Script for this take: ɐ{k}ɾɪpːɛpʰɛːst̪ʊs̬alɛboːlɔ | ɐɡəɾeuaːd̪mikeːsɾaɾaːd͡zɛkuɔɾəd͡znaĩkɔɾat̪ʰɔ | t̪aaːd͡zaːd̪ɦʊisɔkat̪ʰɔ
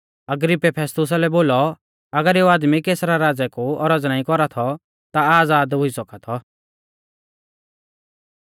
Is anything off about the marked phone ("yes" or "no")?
yes